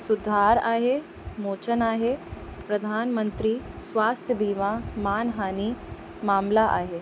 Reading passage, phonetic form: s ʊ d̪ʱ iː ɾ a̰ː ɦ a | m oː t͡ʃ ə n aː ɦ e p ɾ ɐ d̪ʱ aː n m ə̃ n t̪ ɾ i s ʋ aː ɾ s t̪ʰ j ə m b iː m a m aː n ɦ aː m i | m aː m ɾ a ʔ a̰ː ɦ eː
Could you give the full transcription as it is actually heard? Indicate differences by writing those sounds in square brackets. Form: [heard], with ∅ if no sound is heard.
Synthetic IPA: s ʊ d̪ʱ [aː] ɾ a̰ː ɦ [e] | m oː t͡ʃ ə n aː ɦ e p ɾ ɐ d̪ʱ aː n m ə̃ n t̪ ɾ i s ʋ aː [∅] s t̪ʰ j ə [∅] b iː m a m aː n ɦ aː [n] i | m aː m [l] a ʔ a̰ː ɦ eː